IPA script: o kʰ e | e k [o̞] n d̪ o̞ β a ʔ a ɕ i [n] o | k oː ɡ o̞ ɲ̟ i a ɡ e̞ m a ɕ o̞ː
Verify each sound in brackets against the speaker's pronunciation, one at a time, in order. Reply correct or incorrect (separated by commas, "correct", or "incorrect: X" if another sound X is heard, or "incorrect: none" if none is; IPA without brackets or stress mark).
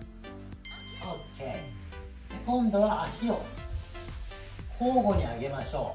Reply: incorrect: õ̞, incorrect: none